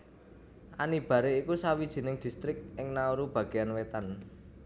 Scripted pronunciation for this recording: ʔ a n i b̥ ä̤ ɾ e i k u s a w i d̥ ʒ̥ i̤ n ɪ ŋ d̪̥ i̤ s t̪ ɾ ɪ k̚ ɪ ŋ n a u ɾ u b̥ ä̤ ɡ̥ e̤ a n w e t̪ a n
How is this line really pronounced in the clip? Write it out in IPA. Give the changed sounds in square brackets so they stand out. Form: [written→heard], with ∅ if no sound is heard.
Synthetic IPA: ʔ a n i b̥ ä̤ ɾ e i k u s a w i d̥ ʒ̥ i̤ n ɪ ŋ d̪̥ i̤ s t̪ ɾ ɪ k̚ ɪ ŋ n a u ɾ u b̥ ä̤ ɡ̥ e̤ a n w e t̪ a n